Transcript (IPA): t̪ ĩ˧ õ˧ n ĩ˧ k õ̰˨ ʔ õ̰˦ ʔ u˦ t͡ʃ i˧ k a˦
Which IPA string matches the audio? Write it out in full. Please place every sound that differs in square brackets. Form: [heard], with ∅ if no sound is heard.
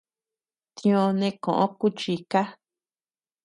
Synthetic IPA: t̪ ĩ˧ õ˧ n [ẽ˧] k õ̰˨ ʔ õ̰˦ [k] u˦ t͡ʃ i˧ k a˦